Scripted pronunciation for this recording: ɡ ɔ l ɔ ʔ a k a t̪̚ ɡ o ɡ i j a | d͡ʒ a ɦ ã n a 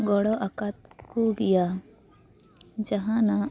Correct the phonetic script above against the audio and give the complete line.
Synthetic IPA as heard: ɡ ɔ ɽ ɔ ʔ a k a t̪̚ k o ɡ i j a | d͡ʒ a ɦ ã n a